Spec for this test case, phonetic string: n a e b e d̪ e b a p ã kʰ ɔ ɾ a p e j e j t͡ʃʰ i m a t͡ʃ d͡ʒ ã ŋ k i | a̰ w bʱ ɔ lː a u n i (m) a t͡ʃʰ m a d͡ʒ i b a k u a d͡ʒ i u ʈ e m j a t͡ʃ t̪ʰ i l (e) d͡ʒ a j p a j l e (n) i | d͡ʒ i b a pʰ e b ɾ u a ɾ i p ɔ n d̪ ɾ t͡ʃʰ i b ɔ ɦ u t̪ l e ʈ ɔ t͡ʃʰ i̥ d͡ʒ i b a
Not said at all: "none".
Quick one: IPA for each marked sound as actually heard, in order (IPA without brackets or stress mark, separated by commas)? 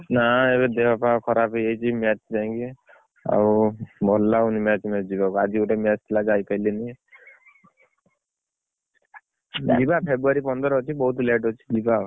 m, a, n